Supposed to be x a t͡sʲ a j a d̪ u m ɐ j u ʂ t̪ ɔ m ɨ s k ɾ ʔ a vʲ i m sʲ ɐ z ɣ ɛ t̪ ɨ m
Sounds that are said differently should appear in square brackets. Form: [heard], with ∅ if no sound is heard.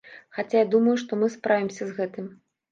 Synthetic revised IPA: x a t͡sʲ a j a d̪ u m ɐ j u ʂ t̪ ɔ m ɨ s [p] ɾ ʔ a vʲ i m sʲ ɐ z ɣ ɛ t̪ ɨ m